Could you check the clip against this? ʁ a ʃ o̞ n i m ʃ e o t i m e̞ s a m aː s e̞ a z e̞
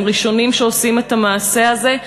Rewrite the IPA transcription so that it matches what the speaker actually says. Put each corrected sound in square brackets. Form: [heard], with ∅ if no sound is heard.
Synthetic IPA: ʁ [i] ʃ o̞ n i m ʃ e o [s] i m e̞ [t] a m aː s e̞ a z e̞